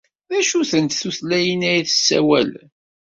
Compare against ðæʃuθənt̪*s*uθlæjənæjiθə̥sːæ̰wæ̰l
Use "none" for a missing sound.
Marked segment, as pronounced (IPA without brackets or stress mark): θ